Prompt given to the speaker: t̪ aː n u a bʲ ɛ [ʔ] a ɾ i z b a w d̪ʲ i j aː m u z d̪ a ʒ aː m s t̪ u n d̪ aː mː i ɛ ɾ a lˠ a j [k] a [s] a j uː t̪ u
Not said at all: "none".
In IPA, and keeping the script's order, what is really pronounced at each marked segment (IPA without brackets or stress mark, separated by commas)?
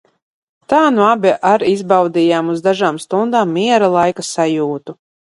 ʔ, k, s